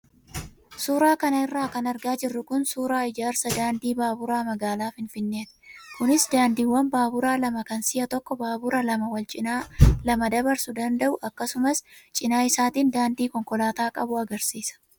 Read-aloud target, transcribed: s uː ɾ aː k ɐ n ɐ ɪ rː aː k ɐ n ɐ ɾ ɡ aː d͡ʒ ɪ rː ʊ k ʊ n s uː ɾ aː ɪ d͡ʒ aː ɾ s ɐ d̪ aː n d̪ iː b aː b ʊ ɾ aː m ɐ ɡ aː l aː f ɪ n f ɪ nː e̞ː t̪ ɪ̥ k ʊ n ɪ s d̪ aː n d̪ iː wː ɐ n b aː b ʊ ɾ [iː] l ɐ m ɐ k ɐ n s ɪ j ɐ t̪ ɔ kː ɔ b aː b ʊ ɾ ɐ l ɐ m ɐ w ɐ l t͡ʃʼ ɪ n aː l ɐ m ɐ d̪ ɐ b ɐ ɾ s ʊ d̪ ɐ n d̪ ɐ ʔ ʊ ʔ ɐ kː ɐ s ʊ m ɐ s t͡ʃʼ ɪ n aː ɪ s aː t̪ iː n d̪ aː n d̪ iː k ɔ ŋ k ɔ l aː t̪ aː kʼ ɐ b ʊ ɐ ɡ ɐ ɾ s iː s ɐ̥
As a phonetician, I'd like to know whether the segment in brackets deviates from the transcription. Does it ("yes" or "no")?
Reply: yes